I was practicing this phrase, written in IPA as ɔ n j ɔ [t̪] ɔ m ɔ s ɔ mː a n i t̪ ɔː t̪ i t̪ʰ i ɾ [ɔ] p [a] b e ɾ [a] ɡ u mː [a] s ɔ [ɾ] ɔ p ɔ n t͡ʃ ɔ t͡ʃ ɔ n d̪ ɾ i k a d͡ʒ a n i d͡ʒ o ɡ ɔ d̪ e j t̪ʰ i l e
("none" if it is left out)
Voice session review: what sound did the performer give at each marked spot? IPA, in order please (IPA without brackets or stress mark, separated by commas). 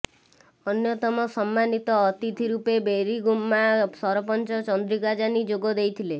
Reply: t̪, u, e, i, a, ɾ